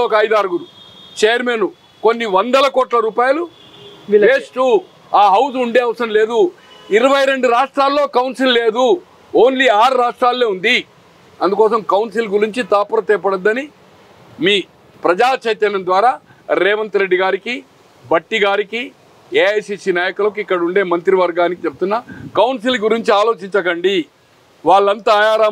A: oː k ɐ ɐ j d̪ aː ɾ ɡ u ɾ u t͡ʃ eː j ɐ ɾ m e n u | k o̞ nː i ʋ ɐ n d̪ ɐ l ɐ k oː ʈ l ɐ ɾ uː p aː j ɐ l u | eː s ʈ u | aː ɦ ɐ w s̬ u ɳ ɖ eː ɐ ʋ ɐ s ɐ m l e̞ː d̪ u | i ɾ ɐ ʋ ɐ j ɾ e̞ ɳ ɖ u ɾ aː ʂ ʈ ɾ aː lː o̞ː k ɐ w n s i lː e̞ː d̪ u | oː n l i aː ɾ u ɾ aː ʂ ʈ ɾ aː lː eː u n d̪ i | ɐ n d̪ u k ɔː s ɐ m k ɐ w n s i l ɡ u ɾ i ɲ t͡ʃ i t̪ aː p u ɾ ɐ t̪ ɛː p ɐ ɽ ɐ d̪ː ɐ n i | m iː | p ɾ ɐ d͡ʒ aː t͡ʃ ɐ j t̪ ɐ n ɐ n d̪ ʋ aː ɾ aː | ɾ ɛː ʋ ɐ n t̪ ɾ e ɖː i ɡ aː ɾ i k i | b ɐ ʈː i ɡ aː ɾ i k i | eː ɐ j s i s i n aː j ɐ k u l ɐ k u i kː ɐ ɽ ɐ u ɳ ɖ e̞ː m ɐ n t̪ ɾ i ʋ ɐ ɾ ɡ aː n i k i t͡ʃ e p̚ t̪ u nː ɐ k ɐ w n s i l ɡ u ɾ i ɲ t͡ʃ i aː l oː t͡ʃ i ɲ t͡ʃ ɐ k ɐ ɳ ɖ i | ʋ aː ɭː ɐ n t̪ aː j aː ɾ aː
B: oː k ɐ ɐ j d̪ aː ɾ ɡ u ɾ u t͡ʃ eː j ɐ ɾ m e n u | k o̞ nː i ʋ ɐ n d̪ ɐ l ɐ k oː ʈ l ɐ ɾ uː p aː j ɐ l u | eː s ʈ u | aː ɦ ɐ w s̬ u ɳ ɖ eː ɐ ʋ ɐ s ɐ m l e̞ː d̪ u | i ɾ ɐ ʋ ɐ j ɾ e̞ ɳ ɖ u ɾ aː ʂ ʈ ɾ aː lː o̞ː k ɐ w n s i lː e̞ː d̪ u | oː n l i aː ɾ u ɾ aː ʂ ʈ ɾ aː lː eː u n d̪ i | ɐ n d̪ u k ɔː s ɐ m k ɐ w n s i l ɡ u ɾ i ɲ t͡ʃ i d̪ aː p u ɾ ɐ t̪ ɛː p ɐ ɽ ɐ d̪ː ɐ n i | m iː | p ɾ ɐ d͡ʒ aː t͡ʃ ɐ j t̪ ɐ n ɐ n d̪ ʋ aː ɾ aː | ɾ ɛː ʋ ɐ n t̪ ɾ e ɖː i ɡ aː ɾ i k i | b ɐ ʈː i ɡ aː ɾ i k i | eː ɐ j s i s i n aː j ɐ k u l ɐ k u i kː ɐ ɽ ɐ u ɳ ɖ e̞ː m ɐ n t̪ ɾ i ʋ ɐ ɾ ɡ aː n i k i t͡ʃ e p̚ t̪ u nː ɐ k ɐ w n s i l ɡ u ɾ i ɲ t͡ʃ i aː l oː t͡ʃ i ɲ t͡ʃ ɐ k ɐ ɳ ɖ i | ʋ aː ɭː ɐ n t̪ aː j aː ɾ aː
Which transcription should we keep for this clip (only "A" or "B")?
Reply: A